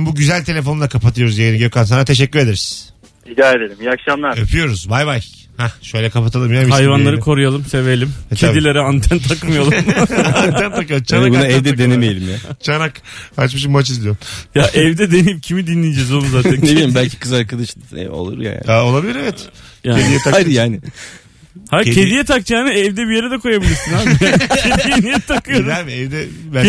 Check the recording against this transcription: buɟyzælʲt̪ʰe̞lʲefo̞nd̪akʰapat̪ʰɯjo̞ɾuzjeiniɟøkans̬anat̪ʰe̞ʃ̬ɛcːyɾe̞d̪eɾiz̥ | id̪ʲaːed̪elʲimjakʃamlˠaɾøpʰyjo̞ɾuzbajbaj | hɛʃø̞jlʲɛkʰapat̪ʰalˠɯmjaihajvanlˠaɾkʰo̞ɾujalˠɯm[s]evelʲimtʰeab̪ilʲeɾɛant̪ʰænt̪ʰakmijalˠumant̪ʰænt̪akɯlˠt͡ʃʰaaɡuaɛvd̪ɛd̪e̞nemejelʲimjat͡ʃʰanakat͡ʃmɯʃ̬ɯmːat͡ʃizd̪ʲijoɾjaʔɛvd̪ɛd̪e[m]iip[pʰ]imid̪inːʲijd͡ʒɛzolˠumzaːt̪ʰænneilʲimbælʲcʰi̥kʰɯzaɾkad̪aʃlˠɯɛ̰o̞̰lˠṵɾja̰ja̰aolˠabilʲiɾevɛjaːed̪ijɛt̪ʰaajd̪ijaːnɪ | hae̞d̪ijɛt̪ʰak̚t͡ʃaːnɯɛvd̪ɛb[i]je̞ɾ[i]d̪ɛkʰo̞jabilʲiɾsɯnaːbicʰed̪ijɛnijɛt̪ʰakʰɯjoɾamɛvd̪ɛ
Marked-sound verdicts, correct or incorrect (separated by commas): correct, incorrect, incorrect, correct, incorrect